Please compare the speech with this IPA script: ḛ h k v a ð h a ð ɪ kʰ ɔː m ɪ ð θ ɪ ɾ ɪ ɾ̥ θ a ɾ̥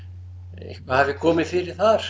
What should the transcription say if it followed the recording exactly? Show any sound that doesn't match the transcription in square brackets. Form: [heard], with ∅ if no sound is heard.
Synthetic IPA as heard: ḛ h k v a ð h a [v] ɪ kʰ ɔː m ɪ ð [f] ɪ ɾ ɪ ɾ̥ θ a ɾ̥